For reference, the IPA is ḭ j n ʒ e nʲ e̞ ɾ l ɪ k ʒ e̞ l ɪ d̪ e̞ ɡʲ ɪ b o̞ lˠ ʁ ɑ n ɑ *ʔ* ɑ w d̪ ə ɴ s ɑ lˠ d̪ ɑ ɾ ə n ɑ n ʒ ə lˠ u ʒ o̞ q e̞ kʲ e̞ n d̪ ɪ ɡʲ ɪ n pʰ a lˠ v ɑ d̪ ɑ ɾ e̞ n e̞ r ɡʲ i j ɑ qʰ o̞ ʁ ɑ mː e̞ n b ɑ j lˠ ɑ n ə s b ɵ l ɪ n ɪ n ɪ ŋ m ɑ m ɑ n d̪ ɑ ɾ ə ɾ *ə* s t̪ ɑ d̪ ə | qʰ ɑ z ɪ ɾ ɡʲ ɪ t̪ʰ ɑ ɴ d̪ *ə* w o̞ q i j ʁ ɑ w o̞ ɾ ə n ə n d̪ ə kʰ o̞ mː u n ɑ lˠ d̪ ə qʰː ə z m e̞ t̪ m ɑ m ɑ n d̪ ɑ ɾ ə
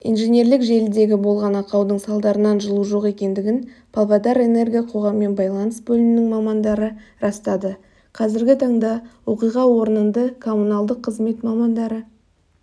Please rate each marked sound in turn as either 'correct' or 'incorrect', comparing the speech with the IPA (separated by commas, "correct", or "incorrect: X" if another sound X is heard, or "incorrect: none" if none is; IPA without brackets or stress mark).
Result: incorrect: q, incorrect: ɑ, incorrect: ɑ